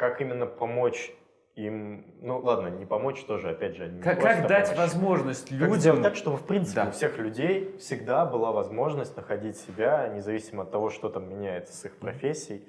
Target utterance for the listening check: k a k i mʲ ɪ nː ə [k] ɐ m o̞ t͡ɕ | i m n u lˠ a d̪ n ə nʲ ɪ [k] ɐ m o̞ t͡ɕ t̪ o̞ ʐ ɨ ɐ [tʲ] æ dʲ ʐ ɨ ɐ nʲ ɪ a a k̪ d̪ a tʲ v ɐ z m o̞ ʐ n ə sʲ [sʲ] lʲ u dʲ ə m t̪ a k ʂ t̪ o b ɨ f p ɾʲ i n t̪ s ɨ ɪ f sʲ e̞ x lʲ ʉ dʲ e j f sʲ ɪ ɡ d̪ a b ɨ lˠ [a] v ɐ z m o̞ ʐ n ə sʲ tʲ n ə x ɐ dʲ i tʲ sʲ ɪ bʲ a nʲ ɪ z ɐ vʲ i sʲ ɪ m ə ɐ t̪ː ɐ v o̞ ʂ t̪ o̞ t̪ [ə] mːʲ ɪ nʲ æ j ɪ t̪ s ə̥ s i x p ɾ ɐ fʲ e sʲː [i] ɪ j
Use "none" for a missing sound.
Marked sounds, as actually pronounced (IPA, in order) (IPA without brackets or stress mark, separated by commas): p, p, pʲ, tʲ, a, a, ɪ